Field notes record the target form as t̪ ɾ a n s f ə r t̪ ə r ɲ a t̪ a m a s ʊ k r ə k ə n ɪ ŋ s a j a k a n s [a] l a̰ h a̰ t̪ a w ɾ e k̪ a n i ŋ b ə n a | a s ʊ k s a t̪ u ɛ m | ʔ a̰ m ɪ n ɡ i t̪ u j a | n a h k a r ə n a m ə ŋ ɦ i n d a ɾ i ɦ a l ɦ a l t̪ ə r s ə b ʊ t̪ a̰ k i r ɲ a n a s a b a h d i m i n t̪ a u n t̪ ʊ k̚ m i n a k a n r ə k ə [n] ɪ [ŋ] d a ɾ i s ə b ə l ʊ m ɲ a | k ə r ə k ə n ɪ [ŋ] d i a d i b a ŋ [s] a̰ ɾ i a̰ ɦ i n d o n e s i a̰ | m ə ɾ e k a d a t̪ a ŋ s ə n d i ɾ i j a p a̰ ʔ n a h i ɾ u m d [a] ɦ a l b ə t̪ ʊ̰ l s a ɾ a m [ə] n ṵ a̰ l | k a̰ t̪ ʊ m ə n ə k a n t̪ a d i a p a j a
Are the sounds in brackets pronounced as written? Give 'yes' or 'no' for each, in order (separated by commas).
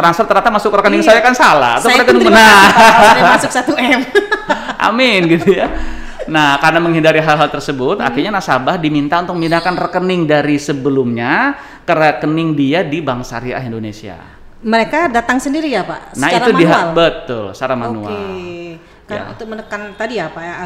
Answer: yes, yes, yes, yes, yes, no, no